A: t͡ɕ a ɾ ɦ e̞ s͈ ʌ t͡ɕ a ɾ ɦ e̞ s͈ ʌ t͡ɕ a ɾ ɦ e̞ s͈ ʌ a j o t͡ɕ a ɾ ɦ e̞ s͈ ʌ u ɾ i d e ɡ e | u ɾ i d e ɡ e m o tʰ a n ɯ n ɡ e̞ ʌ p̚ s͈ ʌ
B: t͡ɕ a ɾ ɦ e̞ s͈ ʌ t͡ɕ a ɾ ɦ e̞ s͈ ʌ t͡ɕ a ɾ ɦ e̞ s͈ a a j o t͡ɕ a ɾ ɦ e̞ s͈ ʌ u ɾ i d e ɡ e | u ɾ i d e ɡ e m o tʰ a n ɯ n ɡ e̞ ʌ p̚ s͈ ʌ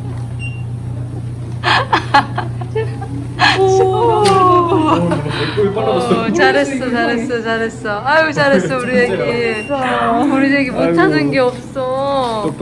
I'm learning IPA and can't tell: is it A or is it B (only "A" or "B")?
A